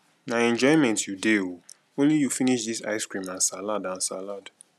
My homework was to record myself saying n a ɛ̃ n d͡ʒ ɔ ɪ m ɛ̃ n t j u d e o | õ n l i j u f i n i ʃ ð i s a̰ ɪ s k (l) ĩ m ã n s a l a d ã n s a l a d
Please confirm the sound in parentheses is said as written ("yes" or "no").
no